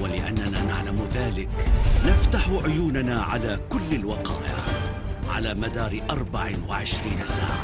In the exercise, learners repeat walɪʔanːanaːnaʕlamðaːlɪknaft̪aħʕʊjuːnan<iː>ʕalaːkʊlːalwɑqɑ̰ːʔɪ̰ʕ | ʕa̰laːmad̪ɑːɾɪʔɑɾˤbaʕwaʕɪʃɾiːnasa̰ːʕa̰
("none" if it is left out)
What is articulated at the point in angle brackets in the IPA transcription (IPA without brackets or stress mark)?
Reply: aː